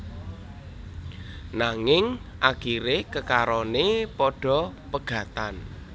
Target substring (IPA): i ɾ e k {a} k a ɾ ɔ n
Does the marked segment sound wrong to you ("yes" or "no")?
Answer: yes